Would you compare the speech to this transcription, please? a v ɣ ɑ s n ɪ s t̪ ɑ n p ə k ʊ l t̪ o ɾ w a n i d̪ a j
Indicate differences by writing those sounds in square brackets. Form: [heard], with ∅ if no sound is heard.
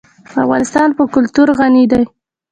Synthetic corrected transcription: a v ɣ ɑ [∅] n ɪ s t̪ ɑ n p ə k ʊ l t̪ [u] ɾ [ɣ] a n i d̪ a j